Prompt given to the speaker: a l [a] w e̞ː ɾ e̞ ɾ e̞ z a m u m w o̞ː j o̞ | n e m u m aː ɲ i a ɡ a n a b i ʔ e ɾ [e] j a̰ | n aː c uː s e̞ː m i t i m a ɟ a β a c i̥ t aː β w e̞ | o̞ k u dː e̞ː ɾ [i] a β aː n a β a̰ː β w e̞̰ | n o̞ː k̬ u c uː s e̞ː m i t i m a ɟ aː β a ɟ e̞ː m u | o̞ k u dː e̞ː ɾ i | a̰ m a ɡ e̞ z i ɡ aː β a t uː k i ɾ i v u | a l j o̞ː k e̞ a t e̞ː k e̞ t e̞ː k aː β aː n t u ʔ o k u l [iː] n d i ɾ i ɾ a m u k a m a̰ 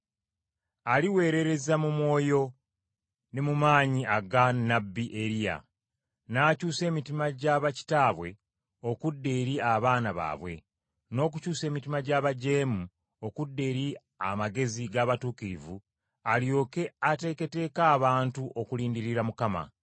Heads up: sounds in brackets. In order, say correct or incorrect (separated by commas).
incorrect, incorrect, correct, correct